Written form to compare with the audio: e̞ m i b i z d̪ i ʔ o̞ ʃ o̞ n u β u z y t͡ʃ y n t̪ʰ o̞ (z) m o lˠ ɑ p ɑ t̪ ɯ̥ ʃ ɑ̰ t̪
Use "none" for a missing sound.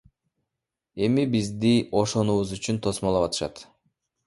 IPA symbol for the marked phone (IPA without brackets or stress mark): s